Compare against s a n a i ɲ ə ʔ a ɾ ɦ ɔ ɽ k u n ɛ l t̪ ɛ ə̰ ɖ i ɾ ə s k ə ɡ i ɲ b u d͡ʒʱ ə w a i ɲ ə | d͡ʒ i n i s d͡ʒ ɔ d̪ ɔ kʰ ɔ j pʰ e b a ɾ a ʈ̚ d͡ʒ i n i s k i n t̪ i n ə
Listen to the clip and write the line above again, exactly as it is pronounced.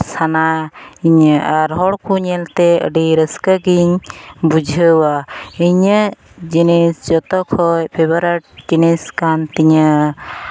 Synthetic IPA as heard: s a n a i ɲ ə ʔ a ɾ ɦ ɔ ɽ k u ɲ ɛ l t̪ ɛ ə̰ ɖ i ɾ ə s k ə ɡ i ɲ b u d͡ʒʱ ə w a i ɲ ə | d͡ʒ i n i s d͡ʒ ɔ t̪ ɔ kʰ ɔ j pʰ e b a ɾ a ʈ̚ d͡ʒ i n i s k a n t̪ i ɲ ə

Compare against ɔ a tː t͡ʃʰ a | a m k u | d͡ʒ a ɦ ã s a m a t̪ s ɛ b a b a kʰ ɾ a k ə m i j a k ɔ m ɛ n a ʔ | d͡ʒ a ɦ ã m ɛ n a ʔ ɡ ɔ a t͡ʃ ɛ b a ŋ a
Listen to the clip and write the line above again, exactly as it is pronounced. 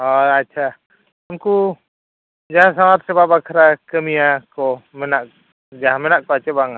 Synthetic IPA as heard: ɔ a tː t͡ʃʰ a | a m k u | d͡ʒ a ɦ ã s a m a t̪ s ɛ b a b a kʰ ɾ a k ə m i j a k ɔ m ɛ n a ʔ | d͡ʒ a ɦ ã m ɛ n a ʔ k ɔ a t͡ʃ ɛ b a ŋ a

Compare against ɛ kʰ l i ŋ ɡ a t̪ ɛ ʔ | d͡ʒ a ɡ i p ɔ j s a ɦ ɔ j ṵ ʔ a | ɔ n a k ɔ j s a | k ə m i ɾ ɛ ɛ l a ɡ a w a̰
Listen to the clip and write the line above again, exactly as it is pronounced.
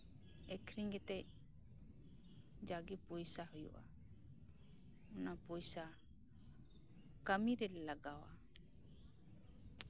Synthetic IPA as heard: ɛ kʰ ɾ i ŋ ɡ ɛ t̪ ɛ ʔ | d͡ʒ a ɡ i p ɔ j s a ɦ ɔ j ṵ ʔ a | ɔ n a p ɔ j s a | k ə m i ɾ ɛ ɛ l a ɡ a w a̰

